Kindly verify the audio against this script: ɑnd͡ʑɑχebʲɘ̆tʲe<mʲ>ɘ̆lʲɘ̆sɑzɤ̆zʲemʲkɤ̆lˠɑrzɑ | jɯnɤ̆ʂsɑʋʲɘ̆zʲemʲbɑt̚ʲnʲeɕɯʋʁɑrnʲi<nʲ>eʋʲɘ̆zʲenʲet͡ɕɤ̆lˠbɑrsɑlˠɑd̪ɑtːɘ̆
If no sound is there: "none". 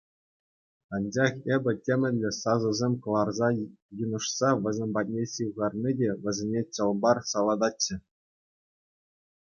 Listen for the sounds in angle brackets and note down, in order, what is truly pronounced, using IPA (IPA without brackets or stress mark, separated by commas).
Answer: mʲ, dʲ